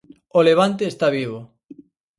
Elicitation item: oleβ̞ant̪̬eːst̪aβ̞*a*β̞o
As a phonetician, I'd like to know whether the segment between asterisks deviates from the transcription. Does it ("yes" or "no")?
yes